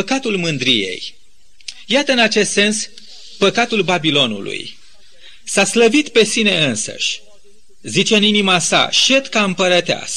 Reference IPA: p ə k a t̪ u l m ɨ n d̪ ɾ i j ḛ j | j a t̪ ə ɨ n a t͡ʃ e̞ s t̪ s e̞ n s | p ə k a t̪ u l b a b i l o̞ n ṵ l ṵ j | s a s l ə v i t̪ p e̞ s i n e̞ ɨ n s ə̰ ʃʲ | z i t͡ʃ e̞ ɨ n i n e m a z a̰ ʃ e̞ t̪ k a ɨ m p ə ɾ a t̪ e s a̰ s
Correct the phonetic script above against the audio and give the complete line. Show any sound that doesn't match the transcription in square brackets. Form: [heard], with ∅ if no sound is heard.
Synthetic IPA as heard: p ə k a t̪ u l m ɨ n d̪ ɾ i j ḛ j | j a t̪ ə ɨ n a t͡ʃ e̞ s t̪ s e̞ n s | p ə k a t̪ u l b a b i l o̞ n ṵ l ṵ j | s a s l ə v i t̪ p e̞ s i n e̞ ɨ n s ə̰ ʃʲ | z i t͡ʃ e̞ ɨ n i n [i] m a [s] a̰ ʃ e̞ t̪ k a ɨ m p ə ɾ [ə] t̪ e [∅] a̰ s